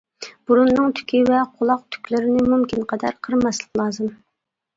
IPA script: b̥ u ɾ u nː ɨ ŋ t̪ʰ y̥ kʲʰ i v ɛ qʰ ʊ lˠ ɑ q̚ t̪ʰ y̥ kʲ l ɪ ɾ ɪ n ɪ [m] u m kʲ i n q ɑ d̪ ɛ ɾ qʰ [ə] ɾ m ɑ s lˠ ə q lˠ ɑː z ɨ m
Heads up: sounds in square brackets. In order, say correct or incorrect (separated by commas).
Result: correct, correct